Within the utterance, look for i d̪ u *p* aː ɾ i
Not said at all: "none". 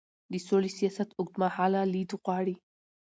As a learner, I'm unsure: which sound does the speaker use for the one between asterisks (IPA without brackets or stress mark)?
q